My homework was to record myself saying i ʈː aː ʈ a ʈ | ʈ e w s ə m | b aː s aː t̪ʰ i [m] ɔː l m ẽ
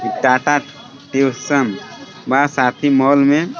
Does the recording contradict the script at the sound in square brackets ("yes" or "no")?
no